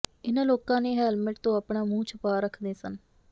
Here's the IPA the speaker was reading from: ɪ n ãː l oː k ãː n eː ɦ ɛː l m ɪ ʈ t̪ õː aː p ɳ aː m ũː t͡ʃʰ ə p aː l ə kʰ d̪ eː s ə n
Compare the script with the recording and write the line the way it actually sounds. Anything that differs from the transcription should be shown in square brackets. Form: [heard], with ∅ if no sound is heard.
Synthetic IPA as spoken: ɪ n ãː l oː k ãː n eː ɦ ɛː l m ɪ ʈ t̪ õː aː p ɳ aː m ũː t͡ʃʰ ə p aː [ɾ] ə kʰ d̪ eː s ə n

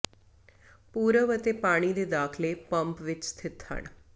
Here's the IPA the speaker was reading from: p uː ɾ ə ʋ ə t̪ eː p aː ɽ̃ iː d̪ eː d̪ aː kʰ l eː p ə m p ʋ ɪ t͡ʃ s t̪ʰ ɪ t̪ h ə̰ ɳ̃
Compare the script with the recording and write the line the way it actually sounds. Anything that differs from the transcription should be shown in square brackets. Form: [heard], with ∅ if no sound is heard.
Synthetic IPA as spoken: p uː ɾ ə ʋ ə t̪ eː p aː ɽ̃ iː d̪ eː d̪ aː kʰ l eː p ə m p ʋ ɪ t͡ʃ s t̪ʰ ɪ t̪ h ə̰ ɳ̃

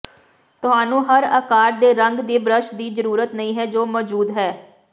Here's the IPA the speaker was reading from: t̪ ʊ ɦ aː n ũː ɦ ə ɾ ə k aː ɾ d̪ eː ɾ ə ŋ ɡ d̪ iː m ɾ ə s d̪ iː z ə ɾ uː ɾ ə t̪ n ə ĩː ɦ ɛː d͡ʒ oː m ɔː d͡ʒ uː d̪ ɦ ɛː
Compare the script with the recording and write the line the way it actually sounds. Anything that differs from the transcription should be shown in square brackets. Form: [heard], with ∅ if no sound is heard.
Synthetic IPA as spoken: t̪ ʊ ɦ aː n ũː ɦ ə ɾ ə k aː ɾ d̪ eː ɾ ə ŋ ɡ d̪ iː [b] ɾ ə [ʃ] d̪ iː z ə ɾ uː ɾ ə t̪ n ə ĩː ɦ ɛː d͡ʒ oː m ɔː d͡ʒ uː d̪ ɦ ɛː

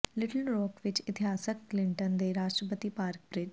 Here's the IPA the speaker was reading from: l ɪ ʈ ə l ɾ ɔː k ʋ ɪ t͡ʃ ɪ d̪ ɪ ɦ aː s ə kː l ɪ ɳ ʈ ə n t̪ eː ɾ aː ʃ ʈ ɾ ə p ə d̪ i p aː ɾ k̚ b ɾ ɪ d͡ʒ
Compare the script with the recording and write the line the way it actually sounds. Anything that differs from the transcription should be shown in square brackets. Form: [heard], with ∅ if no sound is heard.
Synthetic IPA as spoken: l ɪ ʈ ə l ɾ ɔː k ʋ ɪ t͡ʃ ɪ [t̪] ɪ ɦ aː s ə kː l ɪ ɳ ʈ ə n [d̪] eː ɾ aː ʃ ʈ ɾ ə p ə [t̪] i p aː ɾ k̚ b ɾ ɪ d͡ʒ

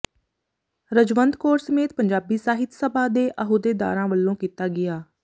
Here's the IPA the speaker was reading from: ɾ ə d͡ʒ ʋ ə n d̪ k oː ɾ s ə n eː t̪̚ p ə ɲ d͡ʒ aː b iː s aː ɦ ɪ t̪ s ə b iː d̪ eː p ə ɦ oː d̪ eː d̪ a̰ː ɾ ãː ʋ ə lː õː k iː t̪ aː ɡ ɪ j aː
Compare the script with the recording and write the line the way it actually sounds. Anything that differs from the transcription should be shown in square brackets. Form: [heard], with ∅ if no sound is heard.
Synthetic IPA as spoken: ɾ ə d͡ʒ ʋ ə n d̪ k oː ɾ s ə [m] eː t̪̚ p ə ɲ d͡ʒ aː b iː s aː ɦ ɪ t̪ s ə b [aː] d̪ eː [ʔ] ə ɦ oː d̪ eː d̪ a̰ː ɾ ãː ʋ ə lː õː k iː t̪ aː ɡ ɪ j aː

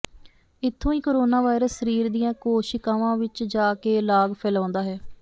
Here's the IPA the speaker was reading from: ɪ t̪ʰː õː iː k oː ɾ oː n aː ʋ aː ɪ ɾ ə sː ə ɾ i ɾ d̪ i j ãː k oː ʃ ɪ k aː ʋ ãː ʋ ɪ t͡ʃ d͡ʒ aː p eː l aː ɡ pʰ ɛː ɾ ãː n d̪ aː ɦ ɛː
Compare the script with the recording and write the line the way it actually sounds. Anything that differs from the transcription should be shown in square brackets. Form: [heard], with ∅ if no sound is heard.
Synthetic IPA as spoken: ɪ t̪ʰː õː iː k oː ɾ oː n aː ʋ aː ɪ ɾ ə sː ə ɾ [iː] ɾ d̪ i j ãː k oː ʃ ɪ k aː ʋ ãː ʋ ɪ t͡ʃ d͡ʒ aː [k] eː l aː ɡ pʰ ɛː [l] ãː n d̪ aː ɦ ɛː

